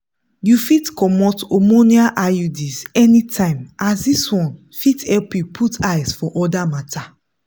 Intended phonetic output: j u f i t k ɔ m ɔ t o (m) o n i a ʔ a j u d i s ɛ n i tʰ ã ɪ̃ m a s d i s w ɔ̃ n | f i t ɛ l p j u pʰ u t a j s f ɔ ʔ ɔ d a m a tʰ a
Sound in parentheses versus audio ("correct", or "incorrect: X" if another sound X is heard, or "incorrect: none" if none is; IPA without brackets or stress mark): correct